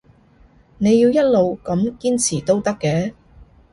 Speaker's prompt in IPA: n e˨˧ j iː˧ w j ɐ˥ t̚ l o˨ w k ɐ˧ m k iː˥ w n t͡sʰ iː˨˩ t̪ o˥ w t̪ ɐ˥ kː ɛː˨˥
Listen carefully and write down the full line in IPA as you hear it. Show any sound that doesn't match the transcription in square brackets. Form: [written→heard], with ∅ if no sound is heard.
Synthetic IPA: n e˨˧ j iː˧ w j ɐ˥ t̚ l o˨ w k [ɐ˧→ɐ˨˥] m k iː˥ [w→∅] n t͡sʰ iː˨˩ t̪ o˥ w t̪ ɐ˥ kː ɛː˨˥